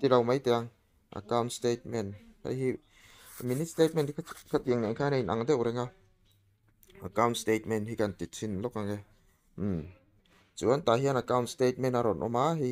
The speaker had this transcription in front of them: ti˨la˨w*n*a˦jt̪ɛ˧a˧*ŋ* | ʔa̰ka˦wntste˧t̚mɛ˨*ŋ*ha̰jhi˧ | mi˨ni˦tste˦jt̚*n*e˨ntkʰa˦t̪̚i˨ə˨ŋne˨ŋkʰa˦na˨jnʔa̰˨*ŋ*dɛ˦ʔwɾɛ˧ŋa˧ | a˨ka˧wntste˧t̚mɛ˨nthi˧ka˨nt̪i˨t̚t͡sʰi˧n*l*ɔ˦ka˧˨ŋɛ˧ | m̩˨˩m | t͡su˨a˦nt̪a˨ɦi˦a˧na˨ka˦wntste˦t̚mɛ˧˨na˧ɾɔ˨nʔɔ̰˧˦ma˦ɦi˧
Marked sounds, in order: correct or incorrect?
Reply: incorrect, correct, incorrect, incorrect, correct, correct

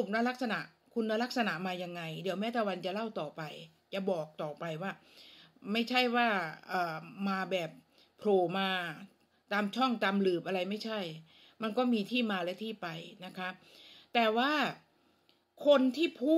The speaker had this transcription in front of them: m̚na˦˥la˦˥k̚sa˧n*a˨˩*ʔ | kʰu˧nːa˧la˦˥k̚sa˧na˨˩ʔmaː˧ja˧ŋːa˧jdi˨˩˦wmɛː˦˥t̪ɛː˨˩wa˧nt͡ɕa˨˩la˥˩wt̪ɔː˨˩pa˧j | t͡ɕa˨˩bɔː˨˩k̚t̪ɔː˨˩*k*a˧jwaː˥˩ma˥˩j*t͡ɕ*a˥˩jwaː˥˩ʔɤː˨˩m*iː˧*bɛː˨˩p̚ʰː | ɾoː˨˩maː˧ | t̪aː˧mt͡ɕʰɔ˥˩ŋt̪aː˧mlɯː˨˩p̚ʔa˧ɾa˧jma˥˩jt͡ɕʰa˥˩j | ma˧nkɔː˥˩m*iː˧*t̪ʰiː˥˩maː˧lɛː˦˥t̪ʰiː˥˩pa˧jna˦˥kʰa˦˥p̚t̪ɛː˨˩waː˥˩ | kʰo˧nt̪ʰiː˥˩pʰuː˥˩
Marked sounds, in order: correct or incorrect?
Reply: correct, incorrect, incorrect, incorrect, correct

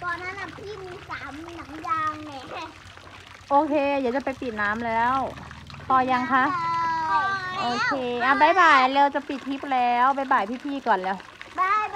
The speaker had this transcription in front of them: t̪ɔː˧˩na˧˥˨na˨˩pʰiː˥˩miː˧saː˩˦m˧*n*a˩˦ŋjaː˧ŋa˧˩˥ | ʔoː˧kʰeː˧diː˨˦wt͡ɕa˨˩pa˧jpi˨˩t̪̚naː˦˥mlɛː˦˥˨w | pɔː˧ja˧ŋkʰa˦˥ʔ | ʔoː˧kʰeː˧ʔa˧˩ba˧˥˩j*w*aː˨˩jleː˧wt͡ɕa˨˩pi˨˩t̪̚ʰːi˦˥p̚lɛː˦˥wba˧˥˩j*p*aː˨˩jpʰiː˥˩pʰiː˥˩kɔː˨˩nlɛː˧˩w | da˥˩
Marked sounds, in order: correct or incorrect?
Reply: correct, incorrect, incorrect

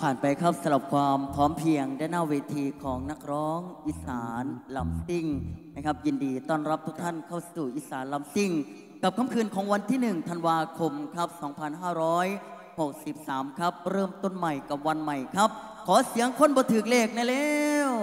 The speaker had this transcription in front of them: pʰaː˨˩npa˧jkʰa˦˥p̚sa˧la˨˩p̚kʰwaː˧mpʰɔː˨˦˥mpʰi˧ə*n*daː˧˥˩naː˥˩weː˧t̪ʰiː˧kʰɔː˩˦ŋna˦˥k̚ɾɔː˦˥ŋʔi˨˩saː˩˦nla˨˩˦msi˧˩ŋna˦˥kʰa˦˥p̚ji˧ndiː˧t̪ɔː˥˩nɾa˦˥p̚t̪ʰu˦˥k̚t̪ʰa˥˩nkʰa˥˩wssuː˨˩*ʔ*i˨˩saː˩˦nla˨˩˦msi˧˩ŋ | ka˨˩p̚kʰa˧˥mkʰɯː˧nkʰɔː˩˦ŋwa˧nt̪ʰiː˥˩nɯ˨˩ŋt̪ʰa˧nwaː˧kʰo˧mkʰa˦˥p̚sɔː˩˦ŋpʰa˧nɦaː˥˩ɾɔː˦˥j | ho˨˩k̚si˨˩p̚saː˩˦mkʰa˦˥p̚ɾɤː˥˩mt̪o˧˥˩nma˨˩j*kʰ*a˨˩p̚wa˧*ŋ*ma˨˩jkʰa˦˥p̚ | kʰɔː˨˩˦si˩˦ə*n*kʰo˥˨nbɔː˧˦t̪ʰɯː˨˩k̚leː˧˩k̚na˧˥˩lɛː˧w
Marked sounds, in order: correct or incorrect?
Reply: incorrect, correct, incorrect, incorrect, incorrect

